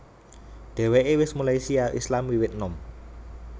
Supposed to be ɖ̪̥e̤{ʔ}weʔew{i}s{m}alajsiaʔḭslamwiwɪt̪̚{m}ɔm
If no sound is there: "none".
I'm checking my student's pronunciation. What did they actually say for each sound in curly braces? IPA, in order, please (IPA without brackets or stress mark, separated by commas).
none, ɪ, m, n